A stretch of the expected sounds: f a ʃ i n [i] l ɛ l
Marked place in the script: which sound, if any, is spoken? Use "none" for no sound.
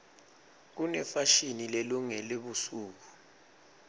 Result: i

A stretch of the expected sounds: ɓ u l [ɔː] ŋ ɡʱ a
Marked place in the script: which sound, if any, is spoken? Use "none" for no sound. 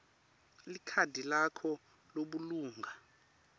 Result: uː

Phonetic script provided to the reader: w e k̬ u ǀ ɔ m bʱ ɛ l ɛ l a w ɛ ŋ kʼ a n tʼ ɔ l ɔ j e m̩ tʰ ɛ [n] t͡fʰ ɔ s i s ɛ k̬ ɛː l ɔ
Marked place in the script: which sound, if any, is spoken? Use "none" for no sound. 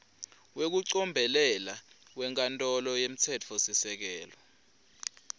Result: none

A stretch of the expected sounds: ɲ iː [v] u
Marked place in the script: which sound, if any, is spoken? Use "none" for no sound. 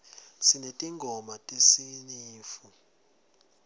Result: f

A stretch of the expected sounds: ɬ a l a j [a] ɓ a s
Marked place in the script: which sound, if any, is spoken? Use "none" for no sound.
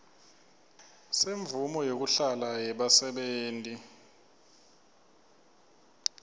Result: ɛ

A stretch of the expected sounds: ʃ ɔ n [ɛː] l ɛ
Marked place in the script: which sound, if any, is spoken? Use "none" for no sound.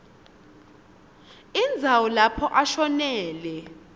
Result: ɛː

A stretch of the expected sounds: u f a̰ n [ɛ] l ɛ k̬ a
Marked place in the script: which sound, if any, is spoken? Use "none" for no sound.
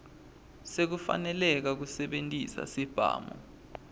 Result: ɛ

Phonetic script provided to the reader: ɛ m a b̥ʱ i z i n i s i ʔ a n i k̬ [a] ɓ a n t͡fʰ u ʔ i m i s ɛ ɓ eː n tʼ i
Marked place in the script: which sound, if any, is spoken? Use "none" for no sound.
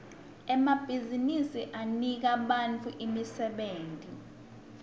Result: a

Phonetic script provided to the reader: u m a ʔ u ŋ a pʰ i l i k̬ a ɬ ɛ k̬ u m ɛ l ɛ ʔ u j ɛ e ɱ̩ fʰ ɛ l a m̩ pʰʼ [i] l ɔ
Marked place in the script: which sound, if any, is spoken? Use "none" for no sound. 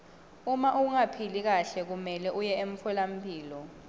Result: iː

